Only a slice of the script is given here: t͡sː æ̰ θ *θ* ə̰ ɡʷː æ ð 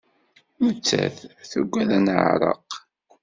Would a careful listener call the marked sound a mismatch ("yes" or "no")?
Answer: no